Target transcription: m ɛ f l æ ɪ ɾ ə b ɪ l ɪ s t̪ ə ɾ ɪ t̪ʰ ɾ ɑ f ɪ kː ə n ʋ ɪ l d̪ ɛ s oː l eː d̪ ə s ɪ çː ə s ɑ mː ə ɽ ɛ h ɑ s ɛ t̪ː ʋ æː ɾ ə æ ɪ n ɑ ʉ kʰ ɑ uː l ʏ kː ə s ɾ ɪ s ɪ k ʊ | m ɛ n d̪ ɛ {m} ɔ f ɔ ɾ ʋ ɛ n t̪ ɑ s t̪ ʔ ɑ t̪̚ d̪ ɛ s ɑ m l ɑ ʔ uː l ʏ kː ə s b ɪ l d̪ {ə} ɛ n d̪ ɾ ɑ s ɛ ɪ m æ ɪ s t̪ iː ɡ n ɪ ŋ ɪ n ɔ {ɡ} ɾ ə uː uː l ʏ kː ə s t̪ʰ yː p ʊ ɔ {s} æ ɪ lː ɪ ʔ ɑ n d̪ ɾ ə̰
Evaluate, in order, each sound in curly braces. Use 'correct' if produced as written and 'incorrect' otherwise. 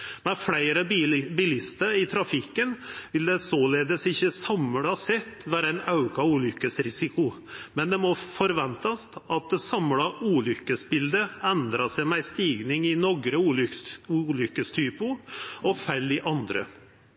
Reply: correct, correct, correct, incorrect

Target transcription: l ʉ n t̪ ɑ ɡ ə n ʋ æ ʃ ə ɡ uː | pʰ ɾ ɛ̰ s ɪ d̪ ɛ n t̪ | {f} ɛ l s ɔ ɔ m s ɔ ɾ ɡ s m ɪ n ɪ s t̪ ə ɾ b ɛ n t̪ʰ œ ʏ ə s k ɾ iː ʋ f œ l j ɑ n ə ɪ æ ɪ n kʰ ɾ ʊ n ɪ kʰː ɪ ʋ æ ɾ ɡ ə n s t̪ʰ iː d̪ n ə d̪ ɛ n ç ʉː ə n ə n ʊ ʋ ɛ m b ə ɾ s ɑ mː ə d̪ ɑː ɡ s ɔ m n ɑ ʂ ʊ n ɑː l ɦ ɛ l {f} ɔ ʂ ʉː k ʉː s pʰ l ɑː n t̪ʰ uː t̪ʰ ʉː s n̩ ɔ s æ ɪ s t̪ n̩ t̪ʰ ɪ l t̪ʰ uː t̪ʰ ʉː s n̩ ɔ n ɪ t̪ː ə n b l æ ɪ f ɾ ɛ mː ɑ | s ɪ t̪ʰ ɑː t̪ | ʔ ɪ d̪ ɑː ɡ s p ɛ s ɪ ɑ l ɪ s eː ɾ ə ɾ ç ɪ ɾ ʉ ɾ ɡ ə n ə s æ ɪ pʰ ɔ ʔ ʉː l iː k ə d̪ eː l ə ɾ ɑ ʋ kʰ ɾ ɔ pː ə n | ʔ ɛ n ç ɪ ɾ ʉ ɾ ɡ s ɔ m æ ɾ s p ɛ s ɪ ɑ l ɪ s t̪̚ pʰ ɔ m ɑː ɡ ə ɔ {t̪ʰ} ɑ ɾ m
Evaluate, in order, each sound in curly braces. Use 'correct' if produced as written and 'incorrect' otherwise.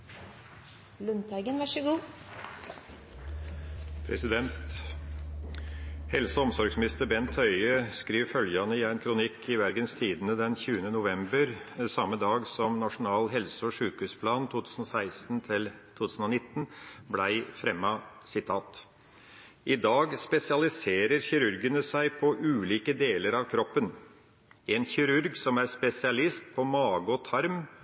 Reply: incorrect, incorrect, correct

